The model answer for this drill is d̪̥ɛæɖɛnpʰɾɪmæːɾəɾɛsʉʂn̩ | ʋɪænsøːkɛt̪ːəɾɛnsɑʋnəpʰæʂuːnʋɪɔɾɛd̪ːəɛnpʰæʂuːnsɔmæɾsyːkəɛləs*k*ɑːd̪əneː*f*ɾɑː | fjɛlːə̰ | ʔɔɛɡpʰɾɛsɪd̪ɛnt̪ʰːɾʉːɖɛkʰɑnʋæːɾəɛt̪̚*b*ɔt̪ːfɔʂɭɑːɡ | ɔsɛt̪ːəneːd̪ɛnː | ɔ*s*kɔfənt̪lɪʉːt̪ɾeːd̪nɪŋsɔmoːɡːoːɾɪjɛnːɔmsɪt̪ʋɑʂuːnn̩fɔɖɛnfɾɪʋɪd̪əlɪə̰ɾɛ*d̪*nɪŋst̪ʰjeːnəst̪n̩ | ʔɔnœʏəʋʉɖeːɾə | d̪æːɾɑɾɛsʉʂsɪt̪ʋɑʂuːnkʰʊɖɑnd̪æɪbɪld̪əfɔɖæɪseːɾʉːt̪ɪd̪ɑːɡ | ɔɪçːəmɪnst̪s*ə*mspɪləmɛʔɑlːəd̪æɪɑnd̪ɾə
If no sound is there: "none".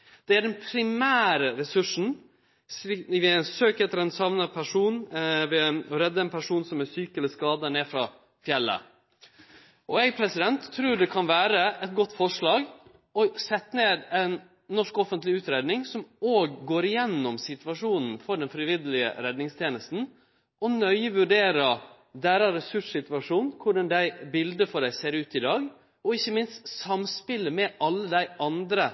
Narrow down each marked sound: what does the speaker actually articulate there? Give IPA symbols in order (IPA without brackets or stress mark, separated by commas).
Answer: k, f, ɡ, ʂ, d̪, ɑ